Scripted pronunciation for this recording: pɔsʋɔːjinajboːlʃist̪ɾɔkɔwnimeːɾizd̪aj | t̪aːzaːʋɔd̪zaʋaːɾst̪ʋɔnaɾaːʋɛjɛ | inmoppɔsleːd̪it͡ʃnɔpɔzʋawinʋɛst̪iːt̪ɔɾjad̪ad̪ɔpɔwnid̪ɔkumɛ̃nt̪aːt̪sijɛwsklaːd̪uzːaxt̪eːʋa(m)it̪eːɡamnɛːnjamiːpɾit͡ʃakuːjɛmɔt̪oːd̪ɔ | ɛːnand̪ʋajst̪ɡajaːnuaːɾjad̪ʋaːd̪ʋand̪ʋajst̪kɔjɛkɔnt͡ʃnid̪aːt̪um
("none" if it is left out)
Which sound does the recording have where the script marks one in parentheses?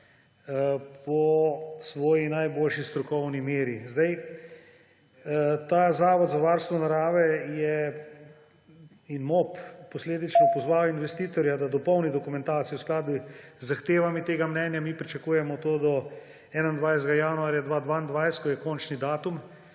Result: m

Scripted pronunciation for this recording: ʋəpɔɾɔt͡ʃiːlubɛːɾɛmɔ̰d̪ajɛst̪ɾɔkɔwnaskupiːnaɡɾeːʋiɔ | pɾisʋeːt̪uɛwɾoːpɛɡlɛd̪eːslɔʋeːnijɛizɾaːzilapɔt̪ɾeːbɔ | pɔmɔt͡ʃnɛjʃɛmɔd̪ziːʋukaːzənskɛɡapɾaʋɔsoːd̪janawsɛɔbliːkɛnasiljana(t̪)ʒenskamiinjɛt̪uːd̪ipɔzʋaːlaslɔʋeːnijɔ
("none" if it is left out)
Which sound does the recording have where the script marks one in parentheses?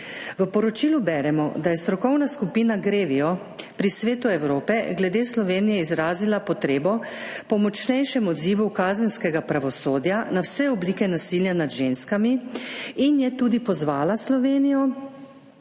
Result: d̪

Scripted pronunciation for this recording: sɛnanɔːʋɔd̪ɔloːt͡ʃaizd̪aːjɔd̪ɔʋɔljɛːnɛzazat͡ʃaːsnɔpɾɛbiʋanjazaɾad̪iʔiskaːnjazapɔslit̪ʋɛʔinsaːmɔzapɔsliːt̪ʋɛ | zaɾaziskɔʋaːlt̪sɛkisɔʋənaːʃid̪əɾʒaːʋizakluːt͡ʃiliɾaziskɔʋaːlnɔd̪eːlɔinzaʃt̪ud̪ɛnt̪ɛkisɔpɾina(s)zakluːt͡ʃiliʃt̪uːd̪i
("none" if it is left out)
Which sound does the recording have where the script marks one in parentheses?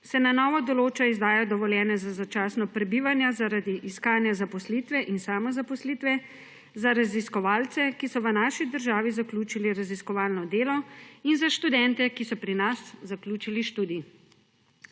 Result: s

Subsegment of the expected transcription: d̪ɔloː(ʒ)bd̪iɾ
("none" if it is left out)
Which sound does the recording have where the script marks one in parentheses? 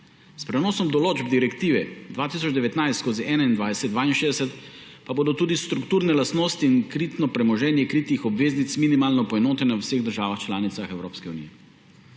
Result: d͡ʒ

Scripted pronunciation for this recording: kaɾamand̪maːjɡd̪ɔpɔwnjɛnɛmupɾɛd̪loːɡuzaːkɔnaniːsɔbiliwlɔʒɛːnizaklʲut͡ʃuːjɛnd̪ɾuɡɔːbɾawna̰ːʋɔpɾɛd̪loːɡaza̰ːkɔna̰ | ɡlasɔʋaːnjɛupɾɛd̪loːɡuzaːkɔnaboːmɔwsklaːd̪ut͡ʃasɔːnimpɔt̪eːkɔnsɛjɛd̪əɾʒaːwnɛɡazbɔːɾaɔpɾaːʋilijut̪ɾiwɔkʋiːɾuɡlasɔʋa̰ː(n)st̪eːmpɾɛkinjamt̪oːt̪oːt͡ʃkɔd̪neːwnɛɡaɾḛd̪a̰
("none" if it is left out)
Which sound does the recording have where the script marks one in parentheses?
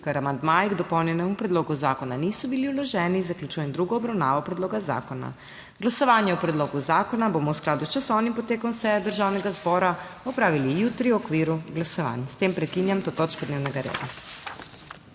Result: n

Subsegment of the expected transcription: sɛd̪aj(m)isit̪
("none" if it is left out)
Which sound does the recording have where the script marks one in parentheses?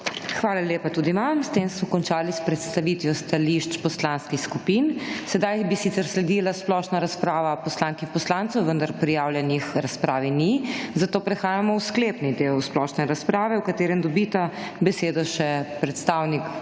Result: b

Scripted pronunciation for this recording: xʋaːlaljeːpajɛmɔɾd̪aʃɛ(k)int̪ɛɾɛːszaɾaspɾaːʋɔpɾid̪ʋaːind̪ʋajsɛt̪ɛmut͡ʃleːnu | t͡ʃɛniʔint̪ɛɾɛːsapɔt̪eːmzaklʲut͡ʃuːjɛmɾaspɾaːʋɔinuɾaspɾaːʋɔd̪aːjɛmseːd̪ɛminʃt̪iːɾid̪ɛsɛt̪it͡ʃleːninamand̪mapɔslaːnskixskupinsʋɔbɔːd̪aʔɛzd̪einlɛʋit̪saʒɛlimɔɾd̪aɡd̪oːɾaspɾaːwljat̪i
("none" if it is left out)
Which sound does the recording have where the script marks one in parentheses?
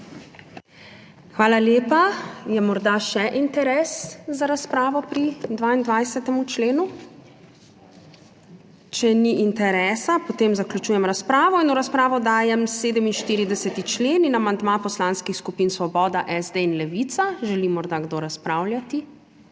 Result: ʔ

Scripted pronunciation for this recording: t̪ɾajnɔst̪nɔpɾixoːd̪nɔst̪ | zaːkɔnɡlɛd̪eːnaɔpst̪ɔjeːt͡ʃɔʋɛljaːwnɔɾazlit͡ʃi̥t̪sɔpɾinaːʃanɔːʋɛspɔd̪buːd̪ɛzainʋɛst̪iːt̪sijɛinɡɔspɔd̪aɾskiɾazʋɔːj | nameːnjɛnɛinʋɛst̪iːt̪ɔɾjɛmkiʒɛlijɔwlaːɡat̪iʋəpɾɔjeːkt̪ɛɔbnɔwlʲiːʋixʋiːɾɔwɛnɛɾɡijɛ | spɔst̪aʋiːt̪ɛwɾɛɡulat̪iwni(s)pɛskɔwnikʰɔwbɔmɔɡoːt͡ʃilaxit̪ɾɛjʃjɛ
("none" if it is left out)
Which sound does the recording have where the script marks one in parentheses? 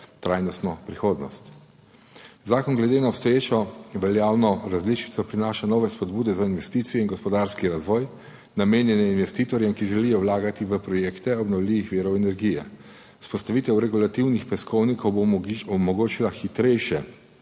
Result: x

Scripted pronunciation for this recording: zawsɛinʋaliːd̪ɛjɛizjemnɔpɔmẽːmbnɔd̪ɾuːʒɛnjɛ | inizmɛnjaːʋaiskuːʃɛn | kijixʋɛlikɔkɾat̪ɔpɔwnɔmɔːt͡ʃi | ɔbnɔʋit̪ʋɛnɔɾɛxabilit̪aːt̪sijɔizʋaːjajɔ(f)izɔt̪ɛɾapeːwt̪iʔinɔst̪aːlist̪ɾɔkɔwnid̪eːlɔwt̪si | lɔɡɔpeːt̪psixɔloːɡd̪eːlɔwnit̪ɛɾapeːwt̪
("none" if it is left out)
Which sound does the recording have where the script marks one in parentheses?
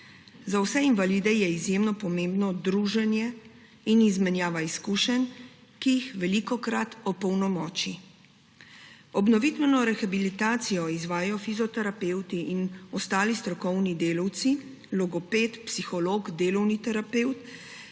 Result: f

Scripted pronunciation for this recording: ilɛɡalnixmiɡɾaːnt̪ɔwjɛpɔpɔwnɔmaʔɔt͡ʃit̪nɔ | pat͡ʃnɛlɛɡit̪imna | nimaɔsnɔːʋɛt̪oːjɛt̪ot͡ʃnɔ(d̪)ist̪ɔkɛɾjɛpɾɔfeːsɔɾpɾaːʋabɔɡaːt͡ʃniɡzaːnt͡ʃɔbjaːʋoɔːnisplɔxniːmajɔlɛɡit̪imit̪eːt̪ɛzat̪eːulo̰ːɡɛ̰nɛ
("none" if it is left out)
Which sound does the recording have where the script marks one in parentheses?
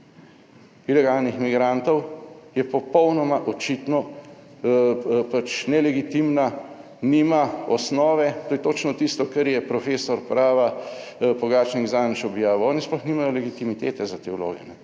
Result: t̪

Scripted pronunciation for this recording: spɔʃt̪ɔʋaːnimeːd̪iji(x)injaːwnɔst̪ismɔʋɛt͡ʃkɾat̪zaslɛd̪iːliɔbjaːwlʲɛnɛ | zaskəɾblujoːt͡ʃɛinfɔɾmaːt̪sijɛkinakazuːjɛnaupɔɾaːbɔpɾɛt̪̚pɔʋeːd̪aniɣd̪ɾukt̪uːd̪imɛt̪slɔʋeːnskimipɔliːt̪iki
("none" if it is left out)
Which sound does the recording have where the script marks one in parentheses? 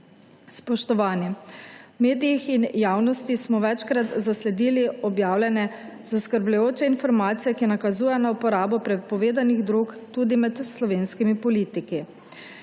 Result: x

